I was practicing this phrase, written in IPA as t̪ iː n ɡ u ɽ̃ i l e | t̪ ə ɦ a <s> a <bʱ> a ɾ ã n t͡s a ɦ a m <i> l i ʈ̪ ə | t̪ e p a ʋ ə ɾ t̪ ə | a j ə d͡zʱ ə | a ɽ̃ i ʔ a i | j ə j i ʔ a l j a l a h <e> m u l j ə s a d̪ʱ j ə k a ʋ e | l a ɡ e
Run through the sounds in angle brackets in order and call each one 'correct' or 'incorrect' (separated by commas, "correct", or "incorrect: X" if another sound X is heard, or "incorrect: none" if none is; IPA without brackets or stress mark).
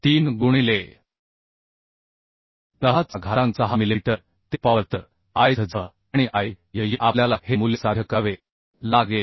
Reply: incorrect: t͡s, incorrect: ɡʱ, correct, correct